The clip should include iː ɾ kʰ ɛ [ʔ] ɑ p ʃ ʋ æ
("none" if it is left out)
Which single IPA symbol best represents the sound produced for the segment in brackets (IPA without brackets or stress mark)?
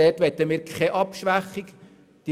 ʔ